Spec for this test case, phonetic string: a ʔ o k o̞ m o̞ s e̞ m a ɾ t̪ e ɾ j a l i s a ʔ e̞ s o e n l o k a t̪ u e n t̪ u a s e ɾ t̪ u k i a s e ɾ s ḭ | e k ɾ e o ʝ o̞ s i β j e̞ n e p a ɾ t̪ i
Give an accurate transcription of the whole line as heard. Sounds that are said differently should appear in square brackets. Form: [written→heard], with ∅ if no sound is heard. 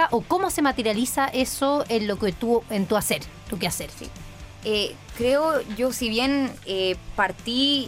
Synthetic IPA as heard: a ʔ o k o̞ m o̞ s e̞ m a [ɾ→∅] t̪ e ɾ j a l i s a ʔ e̞ s o e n l o k [a→e] t̪ u e n t̪ u a s e ɾ t̪ u k [i→e] a s e ɾ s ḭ | e k ɾ e o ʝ o̞ s i β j e̞ n e p a ɾ t̪ i